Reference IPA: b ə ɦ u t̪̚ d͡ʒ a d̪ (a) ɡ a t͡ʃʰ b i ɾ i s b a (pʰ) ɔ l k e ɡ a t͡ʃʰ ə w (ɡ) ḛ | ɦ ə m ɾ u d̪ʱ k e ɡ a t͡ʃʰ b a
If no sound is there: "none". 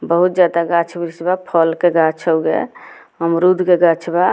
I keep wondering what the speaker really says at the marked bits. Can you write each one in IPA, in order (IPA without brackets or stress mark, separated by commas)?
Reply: a, pʰ, ɡ